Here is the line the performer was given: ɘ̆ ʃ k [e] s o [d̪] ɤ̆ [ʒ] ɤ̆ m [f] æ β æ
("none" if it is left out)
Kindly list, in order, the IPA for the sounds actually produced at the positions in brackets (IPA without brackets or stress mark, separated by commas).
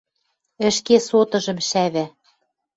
e, t̪, ʒ, ʃ